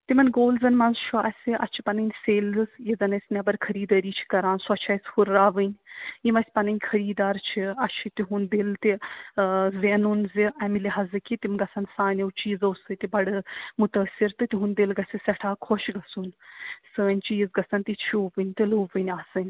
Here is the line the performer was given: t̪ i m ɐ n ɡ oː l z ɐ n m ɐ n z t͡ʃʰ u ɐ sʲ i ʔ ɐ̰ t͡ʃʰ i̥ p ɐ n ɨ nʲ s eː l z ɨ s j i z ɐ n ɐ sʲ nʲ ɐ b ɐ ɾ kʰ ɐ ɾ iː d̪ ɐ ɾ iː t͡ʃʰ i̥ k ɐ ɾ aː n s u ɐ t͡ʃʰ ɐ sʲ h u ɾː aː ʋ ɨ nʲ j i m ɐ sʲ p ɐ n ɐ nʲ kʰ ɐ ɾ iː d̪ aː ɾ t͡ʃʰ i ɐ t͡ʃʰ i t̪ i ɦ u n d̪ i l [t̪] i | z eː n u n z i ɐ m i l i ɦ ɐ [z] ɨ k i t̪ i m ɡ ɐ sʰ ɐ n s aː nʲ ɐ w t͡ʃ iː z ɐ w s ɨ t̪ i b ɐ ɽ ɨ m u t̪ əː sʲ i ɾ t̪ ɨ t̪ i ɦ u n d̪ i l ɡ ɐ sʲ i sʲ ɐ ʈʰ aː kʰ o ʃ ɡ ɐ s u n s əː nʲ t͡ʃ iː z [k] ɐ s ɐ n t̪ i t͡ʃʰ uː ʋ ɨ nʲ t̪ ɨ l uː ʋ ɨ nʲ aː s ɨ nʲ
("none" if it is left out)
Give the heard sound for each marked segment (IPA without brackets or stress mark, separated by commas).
t̪, z, ɡ